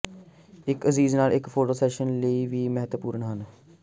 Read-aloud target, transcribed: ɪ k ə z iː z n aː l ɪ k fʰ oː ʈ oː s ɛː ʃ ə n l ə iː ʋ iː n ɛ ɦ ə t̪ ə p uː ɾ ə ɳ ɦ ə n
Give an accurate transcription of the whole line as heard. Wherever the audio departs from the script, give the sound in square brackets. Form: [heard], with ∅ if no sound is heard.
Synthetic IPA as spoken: ɪ k ə z iː z n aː l ɪ k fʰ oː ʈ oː s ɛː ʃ ə n l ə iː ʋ iː [m] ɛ ɦ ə t̪ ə p uː ɾ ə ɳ ɦ ə n

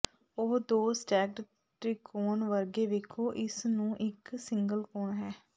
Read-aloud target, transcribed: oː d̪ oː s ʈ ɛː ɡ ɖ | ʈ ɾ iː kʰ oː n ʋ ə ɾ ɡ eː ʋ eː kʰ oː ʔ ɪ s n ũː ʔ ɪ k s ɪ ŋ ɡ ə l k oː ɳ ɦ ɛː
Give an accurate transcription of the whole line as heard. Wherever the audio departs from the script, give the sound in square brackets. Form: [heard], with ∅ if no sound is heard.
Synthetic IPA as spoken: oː d̪ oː s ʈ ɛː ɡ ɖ | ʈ ɾ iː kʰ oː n ʋ ə ɾ ɡ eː ʋ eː kʰ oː ʔ ɪ s n ũː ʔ ɪ k s ɪ ŋ ɡ ə l k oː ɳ ɦ ɛː

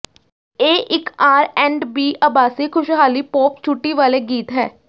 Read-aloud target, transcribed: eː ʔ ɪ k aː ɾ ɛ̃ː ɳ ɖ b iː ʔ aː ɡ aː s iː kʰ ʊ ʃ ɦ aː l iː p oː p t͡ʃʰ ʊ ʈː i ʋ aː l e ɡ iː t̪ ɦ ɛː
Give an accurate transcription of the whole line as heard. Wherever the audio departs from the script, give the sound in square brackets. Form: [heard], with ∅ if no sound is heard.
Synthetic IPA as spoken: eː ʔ ɪ k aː ɾ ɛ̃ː ɳ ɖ b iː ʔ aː [b] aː s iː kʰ ʊ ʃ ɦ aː l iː p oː p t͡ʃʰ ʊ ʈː i ʋ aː l e ɡ iː t̪ ɦ ɛː

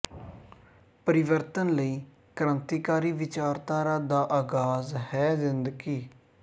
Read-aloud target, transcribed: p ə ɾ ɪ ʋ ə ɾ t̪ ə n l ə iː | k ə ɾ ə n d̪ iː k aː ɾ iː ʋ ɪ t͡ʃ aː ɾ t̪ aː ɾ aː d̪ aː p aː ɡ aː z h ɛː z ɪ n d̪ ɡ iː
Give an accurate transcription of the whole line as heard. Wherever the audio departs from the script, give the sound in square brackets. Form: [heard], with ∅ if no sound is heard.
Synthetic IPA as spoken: p ə ɾ ɪ ʋ ə ɾ t̪ ə n l ə iː | k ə ɾ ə n [t̪] iː k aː ɾ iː ʋ ɪ t͡ʃ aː ɾ t̪ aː ɾ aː d̪ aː [ʔ] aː ɡ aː z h ɛː z ɪ n d̪ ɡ iː

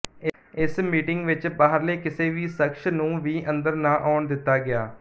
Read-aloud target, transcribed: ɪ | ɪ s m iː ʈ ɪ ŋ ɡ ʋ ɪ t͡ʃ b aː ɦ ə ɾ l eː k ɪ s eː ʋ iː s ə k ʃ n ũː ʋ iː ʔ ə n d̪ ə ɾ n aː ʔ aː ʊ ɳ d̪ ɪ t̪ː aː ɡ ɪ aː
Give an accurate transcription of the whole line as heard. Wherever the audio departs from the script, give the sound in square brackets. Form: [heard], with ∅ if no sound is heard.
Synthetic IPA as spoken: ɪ | ɪ s m iː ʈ ɪ ŋ ɡ ʋ ɪ t͡ʃ b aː ɦ ə ɾ l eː k ɪ s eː ʋ iː s ə k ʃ n ũː ʋ iː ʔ ə n d̪ ə ɾ n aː ʔ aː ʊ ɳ d̪ ɪ t̪ː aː ɡ ɪ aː

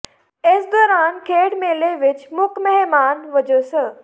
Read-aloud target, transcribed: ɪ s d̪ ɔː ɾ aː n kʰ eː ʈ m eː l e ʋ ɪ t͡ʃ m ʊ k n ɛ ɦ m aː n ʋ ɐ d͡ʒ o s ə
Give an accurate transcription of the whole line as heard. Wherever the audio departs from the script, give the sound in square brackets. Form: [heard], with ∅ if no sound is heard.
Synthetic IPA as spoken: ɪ s d̪ ɔː ɾ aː n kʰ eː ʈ m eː l e ʋ ɪ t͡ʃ m ʊ k [m] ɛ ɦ m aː n ʋ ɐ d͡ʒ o s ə

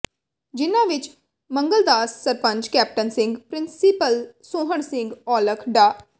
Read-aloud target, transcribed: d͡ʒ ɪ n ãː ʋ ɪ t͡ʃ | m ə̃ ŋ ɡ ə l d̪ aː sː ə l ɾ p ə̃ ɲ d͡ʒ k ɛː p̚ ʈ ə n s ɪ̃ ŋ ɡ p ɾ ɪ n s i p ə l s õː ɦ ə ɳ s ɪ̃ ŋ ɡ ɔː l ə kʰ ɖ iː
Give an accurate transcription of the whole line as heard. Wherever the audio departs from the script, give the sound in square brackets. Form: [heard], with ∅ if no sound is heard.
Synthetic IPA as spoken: d͡ʒ ɪ n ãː ʋ ɪ t͡ʃ | m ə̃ ŋ ɡ ə l d̪ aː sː ə [∅] ɾ p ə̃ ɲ d͡ʒ k ɛː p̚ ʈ ə n s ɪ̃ ŋ ɡ p ɾ ɪ n s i p ə l s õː ɦ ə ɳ s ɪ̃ ŋ ɡ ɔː l ə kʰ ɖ [aː]

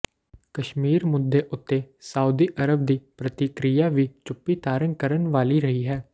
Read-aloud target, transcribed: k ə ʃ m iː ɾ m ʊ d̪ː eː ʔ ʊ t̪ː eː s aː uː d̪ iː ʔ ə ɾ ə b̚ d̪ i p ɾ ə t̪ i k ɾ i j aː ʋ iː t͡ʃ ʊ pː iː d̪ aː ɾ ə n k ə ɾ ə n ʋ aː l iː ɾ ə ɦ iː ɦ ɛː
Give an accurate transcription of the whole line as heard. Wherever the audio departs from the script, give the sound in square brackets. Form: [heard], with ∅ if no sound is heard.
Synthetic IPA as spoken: k ə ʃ m iː ɾ m ʊ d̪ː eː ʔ ʊ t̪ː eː s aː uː d̪ iː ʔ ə ɾ ə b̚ d̪ [iː] p ɾ ə t̪ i k ɾ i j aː ʋ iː t͡ʃ ʊ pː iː [t̪] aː ɾ ə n k ə ɾ ə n ʋ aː l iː ɾ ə ɦ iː ɦ ɛː

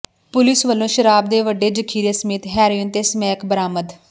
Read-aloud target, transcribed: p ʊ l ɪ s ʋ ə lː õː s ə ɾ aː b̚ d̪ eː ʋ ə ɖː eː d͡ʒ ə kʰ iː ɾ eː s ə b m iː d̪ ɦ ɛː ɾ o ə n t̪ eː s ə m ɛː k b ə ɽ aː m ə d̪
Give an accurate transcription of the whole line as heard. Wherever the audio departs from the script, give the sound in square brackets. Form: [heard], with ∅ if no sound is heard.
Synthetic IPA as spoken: p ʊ l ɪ s ʋ ə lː õː [ʃ] ə ɾ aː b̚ d̪ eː ʋ ə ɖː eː d͡ʒ ə kʰ iː ɾ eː s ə [∅] m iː [t̪] ɦ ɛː ɾ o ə n t̪ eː s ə m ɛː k b ə [ɾ] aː m ə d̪

